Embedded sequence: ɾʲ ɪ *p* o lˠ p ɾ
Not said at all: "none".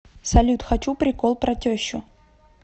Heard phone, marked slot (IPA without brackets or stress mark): k